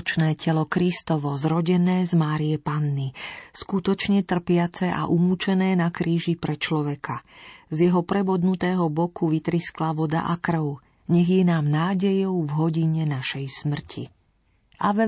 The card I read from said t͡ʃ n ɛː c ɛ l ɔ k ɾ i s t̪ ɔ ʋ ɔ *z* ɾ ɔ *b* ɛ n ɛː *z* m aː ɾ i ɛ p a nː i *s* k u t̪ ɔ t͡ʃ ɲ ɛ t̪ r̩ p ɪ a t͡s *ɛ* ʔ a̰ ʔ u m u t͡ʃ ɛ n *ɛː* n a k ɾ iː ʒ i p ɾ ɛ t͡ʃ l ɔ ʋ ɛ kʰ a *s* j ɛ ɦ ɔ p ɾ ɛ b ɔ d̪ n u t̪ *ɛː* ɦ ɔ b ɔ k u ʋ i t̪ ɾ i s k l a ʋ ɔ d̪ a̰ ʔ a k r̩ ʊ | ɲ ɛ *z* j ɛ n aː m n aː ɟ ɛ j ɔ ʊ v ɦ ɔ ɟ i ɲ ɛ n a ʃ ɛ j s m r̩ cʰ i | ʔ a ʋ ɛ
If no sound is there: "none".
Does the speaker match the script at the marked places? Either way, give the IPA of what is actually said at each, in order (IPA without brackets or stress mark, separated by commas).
z, ɟ, z, s, ɛ, ɛː, z, ɛː, ɣ